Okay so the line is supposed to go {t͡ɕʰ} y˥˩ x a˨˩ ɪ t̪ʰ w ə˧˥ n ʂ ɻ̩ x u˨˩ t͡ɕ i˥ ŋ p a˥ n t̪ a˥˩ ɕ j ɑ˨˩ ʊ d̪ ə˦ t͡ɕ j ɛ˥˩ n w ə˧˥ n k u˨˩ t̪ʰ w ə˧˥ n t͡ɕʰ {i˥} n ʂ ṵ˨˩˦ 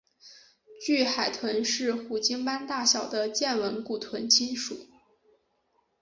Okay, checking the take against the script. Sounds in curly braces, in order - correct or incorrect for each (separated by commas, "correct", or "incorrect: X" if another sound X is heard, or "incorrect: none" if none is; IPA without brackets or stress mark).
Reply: incorrect: t͡ɕ, correct